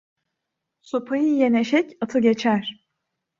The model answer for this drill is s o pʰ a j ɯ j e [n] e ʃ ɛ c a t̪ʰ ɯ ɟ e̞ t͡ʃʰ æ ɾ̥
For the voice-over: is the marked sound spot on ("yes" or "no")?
yes